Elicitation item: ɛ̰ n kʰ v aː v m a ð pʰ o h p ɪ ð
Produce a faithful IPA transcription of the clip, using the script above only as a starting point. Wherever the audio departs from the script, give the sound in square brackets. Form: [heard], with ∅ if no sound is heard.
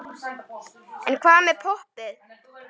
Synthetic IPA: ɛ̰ n kʰ v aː [ð] m [ɛ] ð pʰ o h p ɪ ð